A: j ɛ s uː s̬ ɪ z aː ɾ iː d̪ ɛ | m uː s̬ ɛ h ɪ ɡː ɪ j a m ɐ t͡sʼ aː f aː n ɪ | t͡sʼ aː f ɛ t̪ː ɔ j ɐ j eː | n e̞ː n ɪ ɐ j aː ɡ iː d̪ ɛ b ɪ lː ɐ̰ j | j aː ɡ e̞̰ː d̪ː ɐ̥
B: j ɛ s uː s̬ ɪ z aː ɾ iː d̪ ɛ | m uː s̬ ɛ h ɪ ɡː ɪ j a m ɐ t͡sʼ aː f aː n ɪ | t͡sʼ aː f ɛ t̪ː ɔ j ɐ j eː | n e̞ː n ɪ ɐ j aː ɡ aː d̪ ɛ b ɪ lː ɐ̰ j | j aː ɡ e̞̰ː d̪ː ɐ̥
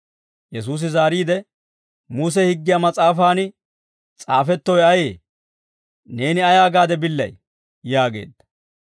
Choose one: B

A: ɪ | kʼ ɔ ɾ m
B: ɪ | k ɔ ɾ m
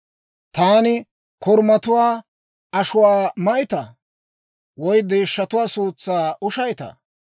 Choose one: B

